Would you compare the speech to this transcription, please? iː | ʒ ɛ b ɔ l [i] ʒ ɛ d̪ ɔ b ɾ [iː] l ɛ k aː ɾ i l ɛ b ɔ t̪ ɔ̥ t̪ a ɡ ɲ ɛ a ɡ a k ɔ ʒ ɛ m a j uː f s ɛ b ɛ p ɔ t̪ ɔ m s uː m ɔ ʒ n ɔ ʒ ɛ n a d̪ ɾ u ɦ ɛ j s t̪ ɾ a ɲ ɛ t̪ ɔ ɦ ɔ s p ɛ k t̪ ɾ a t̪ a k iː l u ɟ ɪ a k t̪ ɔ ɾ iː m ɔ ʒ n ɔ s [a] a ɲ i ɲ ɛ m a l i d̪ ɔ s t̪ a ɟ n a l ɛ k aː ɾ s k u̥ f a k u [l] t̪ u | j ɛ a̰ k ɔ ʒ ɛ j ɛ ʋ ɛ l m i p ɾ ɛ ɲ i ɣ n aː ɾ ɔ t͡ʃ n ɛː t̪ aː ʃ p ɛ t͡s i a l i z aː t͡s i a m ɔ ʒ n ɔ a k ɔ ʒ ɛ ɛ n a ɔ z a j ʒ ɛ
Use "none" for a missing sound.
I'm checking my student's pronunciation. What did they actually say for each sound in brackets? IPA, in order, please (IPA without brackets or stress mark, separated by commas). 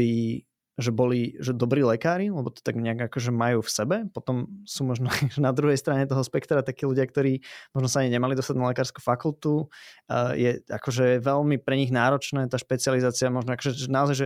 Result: i, iː, a, l